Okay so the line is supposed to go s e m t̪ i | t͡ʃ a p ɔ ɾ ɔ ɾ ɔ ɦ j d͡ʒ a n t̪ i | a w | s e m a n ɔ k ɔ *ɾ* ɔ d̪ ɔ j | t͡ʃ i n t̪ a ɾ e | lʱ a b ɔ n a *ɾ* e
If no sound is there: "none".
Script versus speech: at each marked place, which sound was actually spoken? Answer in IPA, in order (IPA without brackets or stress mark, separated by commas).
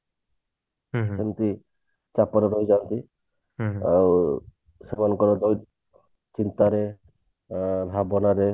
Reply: ɾ, ɾ